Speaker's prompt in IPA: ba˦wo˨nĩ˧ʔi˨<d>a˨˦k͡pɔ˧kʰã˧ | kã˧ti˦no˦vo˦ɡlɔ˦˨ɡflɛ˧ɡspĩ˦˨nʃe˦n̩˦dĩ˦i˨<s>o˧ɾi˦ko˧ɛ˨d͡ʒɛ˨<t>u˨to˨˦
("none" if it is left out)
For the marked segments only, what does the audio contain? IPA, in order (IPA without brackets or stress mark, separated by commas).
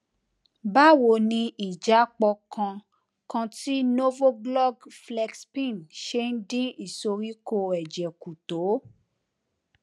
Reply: d͡ʒ, s, k